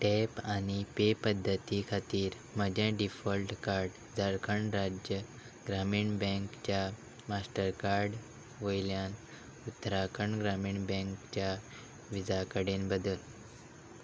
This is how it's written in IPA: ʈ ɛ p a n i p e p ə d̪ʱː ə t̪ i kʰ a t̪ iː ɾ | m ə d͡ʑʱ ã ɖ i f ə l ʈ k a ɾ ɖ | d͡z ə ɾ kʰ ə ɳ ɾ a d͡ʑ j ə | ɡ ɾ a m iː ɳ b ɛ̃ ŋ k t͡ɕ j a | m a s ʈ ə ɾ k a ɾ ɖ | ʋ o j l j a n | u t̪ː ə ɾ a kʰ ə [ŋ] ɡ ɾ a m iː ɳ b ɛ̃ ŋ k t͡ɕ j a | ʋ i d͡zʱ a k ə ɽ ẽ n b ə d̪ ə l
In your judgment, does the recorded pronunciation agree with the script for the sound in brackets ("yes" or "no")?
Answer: no